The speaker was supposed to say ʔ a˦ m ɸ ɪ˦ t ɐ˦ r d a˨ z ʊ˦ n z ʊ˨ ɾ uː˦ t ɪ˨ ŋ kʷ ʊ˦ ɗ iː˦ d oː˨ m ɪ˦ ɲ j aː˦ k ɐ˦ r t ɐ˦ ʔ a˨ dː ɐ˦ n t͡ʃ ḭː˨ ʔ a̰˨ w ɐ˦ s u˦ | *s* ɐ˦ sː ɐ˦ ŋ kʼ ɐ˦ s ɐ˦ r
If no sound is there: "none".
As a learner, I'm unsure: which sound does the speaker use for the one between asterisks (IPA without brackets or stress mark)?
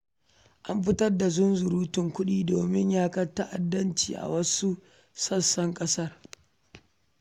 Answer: s